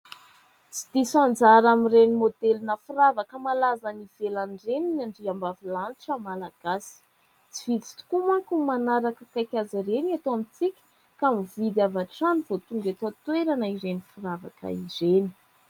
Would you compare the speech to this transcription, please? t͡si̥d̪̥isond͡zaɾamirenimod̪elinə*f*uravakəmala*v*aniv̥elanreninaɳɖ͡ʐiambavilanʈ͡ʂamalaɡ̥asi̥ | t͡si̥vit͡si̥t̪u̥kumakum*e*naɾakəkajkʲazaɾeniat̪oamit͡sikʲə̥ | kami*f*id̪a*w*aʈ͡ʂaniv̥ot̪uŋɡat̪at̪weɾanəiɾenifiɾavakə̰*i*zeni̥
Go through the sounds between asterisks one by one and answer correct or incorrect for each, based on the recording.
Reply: correct, incorrect: z, incorrect: a, incorrect: v, incorrect: v, correct

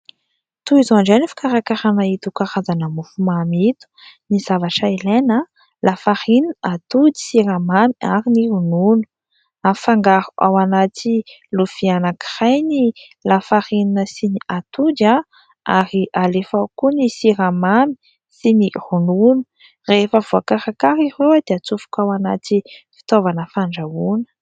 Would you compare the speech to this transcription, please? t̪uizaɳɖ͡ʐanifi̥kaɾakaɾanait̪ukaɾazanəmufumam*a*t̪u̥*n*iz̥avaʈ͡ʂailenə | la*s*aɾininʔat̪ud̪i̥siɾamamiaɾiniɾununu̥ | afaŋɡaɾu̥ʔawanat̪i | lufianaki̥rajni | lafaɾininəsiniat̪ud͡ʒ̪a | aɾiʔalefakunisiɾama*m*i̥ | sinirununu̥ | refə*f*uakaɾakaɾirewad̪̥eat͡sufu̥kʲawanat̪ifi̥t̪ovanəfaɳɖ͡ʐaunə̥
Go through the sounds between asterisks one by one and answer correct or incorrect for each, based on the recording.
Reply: incorrect: i, correct, incorrect: f, correct, incorrect: v

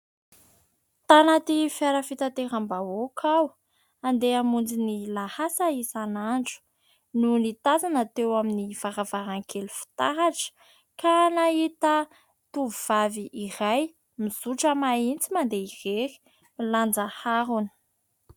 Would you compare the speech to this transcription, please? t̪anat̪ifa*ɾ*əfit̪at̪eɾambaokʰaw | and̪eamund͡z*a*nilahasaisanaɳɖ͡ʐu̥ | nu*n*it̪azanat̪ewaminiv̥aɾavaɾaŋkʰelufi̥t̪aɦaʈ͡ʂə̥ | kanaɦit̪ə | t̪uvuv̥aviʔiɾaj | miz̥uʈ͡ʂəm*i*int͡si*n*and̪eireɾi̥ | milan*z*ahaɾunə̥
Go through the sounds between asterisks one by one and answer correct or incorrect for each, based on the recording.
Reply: correct, incorrect: i, correct, incorrect: a, incorrect: m, incorrect: d͡z

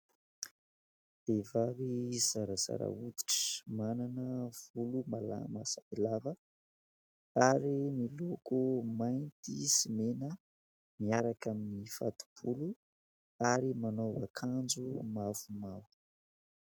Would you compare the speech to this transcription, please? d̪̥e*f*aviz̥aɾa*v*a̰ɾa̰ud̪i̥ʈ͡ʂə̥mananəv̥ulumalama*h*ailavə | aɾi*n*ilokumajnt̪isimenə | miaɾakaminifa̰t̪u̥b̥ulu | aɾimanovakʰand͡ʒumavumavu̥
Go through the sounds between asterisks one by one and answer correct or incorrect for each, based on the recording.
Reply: incorrect: v, incorrect: z, incorrect: s, incorrect: m

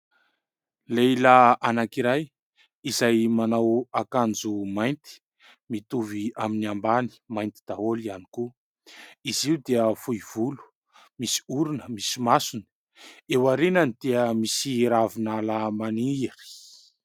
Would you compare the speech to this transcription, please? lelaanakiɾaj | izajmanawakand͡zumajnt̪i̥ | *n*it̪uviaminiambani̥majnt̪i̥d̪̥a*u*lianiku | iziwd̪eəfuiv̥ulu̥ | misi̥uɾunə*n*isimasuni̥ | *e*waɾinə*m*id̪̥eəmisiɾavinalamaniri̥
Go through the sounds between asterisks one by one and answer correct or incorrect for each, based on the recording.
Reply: incorrect: m, incorrect: o, incorrect: m, correct, incorrect: n

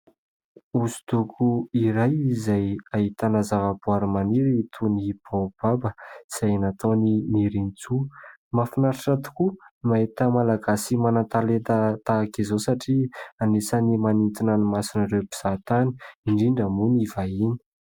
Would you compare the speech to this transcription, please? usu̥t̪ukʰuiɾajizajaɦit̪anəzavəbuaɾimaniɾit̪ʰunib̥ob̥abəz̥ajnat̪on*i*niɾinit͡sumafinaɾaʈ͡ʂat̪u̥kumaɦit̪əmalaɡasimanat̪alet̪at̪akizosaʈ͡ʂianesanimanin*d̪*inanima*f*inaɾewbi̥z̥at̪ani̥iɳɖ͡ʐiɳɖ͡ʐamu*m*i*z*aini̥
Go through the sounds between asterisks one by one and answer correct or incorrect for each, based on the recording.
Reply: correct, incorrect: t̪, incorrect: s, incorrect: n, incorrect: v

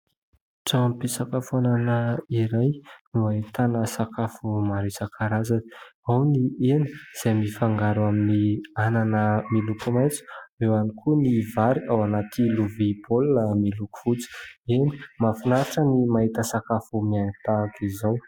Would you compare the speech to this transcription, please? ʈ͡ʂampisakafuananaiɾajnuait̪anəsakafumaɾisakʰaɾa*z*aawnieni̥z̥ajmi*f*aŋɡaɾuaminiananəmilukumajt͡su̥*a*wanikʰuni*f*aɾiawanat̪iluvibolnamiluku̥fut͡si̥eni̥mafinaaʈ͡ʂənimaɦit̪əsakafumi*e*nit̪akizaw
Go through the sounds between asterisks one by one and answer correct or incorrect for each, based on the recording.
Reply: correct, correct, incorrect: e, incorrect: v, incorrect: a

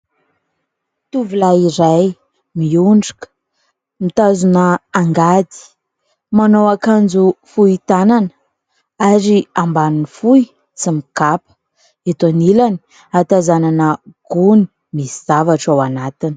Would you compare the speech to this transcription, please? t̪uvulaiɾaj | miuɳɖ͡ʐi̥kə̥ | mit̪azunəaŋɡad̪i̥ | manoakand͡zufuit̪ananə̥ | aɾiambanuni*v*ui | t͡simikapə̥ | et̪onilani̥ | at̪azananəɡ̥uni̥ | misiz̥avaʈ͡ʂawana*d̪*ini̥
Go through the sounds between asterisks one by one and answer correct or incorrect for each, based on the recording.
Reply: incorrect: f, incorrect: t̪

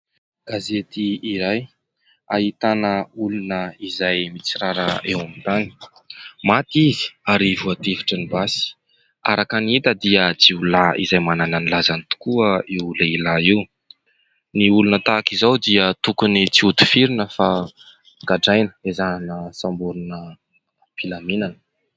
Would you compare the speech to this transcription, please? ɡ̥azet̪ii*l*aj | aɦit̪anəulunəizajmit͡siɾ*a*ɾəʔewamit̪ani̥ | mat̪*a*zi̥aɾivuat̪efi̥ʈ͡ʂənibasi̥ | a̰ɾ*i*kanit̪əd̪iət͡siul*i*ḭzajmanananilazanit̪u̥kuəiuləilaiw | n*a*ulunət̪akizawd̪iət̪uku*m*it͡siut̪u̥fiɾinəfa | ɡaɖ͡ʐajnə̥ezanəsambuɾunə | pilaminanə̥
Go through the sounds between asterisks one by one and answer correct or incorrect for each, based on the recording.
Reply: incorrect: ɾ, correct, incorrect: i, incorrect: a, incorrect: a, incorrect: i, incorrect: n

